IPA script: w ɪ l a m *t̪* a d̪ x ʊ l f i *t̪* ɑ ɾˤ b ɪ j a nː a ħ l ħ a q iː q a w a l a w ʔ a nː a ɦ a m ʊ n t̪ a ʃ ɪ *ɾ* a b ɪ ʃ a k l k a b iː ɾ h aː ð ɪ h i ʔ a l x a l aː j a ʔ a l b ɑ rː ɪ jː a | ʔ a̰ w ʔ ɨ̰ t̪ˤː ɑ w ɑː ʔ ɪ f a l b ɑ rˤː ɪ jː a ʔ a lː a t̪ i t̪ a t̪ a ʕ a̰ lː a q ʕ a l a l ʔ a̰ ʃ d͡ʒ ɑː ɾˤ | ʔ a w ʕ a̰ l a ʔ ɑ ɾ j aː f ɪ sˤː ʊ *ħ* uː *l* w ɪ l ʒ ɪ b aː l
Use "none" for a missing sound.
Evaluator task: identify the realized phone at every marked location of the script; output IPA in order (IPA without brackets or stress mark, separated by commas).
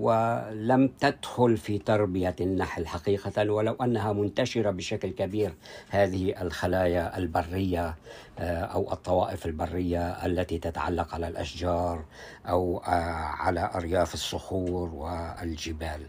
t̪, t̪, ɾ, x, ɾ